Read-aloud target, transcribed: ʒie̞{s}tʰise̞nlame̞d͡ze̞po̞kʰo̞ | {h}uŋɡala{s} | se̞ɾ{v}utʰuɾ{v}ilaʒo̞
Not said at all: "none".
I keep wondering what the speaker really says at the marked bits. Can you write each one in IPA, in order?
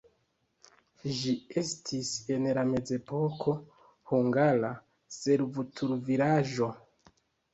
s, h, none, v, v

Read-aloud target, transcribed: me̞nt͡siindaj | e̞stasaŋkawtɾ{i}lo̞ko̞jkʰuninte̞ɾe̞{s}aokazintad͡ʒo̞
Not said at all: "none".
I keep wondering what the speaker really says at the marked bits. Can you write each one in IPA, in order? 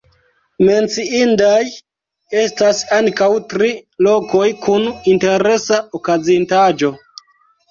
i, s

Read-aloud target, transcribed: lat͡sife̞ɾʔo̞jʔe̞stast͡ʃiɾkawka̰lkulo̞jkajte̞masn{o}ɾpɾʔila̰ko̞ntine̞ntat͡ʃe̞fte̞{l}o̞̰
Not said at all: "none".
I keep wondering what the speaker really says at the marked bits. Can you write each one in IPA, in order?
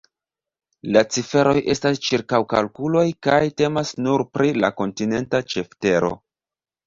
u, ɾ

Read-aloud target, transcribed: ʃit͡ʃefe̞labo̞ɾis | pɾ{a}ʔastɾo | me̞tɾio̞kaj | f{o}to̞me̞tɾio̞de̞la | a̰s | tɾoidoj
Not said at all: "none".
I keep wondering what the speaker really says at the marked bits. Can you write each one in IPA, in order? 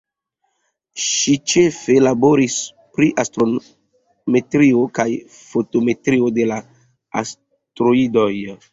i, o

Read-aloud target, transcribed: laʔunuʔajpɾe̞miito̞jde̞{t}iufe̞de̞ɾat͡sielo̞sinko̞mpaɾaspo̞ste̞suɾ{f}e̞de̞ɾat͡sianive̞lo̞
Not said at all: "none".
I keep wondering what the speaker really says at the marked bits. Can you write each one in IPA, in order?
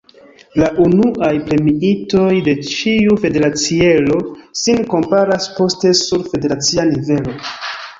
t͡ʃ, f

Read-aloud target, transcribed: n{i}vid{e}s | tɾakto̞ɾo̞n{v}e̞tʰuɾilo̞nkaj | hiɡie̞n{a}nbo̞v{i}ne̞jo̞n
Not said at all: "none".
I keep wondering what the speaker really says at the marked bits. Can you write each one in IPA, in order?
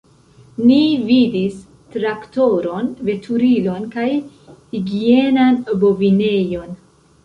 i, i, v, a, i

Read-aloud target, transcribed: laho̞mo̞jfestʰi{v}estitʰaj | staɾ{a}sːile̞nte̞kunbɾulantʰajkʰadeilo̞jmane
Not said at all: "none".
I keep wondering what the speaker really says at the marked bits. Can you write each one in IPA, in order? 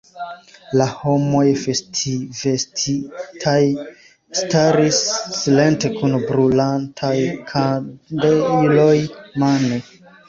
v, i

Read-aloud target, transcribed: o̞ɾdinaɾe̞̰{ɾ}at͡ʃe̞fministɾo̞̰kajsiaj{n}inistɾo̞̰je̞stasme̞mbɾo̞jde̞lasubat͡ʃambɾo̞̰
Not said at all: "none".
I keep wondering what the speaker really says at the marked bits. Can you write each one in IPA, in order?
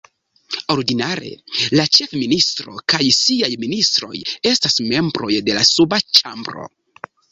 l, m

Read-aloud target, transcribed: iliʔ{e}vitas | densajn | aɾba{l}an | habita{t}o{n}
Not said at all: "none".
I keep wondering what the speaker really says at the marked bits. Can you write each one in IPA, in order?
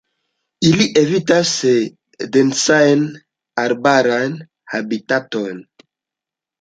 e, ɾ, t, n

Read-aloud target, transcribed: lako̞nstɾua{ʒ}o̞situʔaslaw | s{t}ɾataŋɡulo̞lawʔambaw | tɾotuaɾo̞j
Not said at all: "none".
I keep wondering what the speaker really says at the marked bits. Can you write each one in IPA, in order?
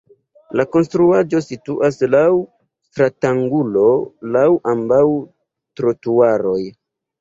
d͡ʒ, t

